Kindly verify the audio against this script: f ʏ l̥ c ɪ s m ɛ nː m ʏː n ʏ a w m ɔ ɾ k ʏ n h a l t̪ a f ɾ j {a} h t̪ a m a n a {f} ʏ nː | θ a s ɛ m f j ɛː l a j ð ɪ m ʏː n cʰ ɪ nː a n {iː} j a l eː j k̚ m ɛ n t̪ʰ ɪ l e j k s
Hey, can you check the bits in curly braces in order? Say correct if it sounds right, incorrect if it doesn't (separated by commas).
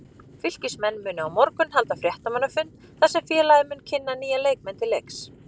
incorrect, correct, correct